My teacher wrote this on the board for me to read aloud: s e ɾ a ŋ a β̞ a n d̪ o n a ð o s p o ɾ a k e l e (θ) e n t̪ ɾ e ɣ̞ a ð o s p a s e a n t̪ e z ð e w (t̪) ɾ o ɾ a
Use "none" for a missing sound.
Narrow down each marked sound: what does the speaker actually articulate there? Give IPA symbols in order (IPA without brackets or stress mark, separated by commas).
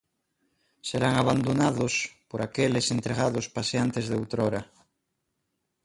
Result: s, t̪